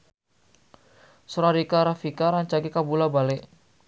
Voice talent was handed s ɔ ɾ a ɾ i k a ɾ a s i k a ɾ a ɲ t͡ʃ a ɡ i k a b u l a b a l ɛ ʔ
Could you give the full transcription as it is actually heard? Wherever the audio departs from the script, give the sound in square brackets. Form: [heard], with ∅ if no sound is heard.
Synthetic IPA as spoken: s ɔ ɾ a ɾ i k a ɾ a [f] i k a ɾ a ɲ t͡ʃ a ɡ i k a b u l a b a l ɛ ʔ